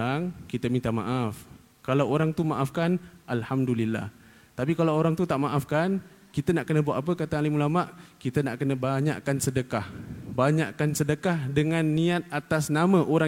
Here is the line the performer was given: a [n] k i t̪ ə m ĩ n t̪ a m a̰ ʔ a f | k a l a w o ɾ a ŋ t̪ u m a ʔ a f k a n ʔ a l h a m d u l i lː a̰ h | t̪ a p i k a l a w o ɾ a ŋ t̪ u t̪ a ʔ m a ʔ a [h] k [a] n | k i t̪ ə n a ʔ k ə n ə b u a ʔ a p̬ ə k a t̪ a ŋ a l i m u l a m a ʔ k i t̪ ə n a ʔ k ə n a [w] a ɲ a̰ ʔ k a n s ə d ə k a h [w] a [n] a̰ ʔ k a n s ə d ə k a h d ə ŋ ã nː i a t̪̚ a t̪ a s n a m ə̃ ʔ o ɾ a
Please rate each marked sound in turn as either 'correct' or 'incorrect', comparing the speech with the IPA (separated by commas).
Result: incorrect, incorrect, correct, incorrect, incorrect, incorrect